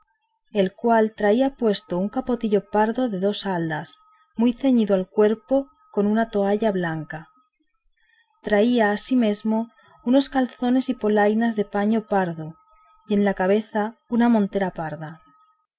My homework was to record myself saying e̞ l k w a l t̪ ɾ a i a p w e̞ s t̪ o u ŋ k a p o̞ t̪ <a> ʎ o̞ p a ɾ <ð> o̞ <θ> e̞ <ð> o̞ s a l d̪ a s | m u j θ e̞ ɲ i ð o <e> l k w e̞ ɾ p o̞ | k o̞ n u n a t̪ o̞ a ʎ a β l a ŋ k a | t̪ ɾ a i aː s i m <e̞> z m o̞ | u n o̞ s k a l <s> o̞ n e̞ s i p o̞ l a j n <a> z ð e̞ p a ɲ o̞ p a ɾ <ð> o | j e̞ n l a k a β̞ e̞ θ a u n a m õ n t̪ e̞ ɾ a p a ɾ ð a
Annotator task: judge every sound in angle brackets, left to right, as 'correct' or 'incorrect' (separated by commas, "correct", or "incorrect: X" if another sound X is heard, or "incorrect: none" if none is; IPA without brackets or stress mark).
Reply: incorrect: i, correct, incorrect: ð, correct, incorrect: a, correct, incorrect: θ, correct, correct